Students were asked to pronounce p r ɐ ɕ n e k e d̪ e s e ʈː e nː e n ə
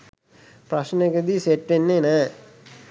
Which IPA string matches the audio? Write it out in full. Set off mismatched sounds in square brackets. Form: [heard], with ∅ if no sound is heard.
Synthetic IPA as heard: p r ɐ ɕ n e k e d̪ [i] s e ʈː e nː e n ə